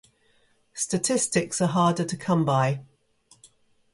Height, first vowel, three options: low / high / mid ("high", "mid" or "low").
mid